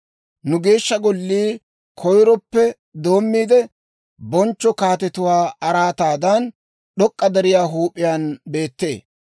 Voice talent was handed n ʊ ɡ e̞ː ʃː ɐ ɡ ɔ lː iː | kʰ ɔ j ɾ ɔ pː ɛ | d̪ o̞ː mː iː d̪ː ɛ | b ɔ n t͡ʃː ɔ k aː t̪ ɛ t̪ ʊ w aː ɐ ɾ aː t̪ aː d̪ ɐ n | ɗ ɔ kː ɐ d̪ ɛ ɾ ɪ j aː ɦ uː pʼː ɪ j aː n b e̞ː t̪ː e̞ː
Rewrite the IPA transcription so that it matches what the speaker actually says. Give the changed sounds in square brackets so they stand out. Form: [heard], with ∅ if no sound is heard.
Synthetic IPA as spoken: n ʊ ɡ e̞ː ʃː ɐ ɡ ɔ lː iː | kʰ ɔ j ɾ ɔ pː ɛ | d̪ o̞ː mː iː [d̪] ɛ | b ɔ n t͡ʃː ɔ k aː t̪ ɛ t̪ ʊ w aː ɐ ɾ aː t̪ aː d̪ ɐ n | ɗ ɔ [kʼː] ɐ d̪ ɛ ɾ ɪ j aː ɦ uː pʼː ɪ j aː n b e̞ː t̪ː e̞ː